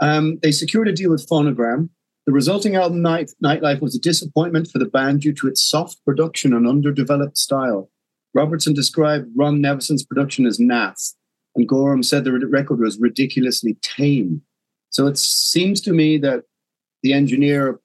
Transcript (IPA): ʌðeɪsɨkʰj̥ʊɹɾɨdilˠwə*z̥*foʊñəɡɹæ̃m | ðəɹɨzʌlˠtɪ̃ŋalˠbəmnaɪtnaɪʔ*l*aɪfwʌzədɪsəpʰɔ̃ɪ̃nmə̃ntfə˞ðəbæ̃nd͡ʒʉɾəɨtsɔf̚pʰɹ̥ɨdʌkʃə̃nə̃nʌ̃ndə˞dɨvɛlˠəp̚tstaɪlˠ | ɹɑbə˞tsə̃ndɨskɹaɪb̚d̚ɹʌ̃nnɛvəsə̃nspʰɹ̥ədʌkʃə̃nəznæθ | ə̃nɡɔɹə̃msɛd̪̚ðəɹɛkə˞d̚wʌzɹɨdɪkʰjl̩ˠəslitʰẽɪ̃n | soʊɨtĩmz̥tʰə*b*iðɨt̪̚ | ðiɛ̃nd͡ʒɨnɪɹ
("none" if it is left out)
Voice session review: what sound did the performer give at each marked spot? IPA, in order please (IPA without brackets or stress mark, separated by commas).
ð̥, l, m